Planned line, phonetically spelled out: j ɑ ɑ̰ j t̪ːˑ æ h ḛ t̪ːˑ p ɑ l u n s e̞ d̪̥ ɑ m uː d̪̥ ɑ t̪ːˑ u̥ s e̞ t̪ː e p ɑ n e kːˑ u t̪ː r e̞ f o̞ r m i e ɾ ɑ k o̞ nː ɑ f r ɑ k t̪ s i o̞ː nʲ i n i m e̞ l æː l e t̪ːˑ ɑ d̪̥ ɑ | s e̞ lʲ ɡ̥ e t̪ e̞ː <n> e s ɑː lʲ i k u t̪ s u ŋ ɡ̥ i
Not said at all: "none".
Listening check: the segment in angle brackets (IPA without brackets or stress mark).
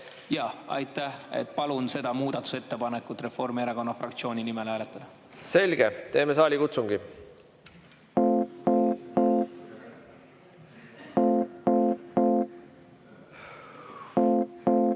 m